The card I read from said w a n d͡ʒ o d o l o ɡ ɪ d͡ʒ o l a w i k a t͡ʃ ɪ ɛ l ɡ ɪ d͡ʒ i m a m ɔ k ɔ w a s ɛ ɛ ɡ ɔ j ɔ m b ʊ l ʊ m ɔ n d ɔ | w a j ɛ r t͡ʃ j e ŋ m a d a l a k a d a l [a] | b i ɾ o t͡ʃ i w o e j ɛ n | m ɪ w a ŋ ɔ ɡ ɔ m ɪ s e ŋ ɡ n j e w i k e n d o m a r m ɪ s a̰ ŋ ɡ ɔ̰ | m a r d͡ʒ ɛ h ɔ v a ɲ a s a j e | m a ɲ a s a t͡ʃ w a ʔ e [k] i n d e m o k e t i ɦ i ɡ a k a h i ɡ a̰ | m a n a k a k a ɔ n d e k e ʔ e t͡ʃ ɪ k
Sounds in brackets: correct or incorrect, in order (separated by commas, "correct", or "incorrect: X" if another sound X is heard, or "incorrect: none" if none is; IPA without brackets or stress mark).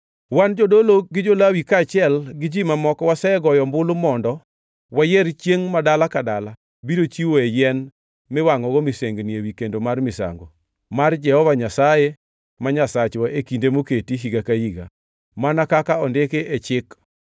correct, correct